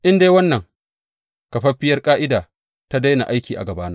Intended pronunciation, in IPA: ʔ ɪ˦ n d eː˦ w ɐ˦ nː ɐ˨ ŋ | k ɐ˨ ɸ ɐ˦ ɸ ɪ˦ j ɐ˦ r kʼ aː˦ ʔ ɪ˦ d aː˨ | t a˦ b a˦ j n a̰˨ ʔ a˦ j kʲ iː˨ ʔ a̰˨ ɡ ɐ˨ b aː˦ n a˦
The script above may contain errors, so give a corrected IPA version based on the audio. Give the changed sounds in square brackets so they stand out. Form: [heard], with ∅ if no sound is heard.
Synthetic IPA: ʔ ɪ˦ n d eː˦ w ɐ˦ nː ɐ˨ ŋ | k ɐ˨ ɸ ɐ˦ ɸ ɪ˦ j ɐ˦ r kʼ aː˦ ʔ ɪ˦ d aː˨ | t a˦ [d] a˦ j n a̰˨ ʔ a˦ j kʲ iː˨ ʔ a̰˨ ɡ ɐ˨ b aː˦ n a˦